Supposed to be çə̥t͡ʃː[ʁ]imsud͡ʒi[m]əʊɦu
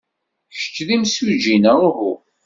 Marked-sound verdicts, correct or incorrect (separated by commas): incorrect, incorrect